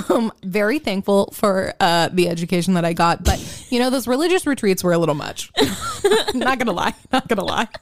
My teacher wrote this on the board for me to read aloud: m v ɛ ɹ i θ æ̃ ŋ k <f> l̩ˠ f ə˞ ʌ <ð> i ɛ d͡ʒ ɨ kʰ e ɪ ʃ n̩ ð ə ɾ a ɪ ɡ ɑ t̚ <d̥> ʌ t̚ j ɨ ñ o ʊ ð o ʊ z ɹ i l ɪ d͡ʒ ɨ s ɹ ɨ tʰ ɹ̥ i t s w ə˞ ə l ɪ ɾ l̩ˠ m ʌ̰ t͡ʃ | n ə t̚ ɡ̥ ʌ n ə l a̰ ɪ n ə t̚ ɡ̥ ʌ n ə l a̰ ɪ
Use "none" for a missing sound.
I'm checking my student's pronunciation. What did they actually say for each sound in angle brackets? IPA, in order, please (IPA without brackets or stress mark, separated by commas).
f, ð, b̥